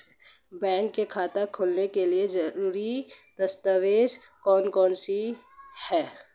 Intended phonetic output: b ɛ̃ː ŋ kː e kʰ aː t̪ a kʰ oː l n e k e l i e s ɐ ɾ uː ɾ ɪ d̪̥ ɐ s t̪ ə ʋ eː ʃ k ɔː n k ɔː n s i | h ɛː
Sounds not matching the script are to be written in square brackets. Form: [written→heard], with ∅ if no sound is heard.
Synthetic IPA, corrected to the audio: b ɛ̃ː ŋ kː e kʰ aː t̪ a kʰ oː l n e k e l i e [s→z] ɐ ɾ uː ɾ [ɪ→i] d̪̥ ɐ s t̪ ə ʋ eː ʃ k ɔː n k ɔː n s i | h ɛː